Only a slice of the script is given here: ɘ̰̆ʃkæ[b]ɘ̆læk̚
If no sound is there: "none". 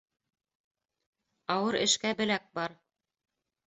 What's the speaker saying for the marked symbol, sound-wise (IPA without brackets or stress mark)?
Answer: b